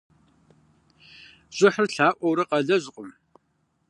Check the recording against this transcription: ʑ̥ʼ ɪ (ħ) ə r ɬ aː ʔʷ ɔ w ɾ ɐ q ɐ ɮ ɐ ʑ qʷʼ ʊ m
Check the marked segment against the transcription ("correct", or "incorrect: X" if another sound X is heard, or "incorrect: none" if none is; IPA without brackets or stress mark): correct